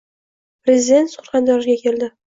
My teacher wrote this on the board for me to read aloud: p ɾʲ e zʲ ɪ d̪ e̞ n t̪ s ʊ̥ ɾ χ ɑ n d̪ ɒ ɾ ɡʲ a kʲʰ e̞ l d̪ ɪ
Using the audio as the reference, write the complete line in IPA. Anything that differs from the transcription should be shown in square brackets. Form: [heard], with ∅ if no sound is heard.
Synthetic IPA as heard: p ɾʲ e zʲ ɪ d̪ e̞ n t̪ s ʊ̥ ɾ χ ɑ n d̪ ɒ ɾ ɡʲ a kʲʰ e̞ l d̪ ɪ